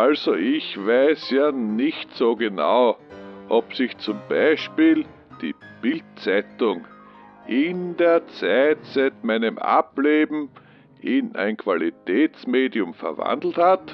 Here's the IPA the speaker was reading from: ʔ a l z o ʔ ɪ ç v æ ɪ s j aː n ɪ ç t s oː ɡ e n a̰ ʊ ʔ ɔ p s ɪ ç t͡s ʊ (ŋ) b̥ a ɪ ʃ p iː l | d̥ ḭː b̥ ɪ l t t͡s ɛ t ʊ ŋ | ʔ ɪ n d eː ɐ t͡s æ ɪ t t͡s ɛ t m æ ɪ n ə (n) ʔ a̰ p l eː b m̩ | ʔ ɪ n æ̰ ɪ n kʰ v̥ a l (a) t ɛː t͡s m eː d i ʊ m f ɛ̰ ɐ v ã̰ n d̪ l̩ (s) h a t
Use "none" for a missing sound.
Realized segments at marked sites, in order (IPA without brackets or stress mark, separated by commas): m, m, i, t